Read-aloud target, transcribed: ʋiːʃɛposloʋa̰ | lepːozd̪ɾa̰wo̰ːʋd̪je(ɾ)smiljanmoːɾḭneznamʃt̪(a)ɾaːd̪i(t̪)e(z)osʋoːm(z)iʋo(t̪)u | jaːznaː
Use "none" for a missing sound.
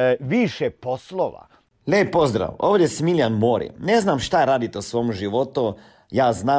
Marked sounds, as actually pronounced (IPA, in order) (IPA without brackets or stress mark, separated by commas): none, a, t̪, none, ʒ, t̪